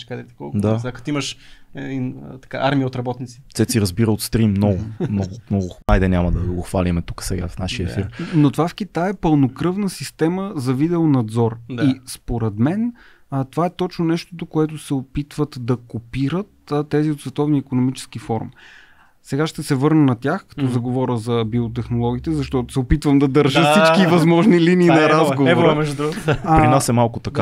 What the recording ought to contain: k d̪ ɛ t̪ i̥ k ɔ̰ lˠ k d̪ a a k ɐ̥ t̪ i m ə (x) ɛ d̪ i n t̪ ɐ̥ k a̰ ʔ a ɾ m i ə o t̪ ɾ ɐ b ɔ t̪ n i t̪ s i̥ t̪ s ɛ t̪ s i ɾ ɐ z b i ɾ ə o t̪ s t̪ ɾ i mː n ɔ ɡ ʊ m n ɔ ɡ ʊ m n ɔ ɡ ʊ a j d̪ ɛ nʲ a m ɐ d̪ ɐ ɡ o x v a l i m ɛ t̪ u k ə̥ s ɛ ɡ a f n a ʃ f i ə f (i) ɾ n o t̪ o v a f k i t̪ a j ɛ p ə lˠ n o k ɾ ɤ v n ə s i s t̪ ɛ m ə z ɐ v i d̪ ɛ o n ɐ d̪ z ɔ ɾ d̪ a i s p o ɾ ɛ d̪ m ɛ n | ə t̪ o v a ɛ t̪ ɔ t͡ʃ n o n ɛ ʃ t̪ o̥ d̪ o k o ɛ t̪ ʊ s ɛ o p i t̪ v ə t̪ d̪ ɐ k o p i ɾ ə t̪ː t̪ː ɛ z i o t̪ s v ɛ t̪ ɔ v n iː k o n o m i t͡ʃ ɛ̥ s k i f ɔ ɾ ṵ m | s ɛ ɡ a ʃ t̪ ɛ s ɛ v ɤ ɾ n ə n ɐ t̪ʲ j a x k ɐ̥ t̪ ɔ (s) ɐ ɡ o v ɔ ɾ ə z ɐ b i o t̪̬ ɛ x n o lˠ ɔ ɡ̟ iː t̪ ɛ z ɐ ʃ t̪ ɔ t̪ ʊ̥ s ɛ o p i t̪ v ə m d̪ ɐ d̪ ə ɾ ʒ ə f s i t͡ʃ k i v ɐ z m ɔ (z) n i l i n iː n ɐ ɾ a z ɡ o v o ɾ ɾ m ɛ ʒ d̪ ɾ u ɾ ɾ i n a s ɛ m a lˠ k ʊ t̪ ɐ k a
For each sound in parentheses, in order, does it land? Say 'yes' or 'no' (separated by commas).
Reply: no, yes, no, no